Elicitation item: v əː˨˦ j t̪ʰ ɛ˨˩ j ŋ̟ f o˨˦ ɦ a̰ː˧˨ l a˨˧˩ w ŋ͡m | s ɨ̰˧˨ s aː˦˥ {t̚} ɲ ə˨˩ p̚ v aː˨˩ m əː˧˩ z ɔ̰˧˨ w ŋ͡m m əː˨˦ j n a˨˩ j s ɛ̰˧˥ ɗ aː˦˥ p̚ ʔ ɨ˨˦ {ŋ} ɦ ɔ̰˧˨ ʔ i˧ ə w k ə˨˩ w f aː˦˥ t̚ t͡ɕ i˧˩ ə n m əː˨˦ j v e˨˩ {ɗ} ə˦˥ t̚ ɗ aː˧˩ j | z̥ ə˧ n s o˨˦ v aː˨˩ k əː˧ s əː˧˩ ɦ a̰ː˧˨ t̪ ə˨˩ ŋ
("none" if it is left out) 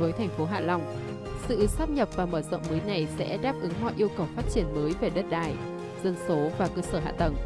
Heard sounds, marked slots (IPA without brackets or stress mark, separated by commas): p̚, ŋ, ɗ